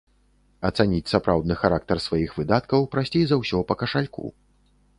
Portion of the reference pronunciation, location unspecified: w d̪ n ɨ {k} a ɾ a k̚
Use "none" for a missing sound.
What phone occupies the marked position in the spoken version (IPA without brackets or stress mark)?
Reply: x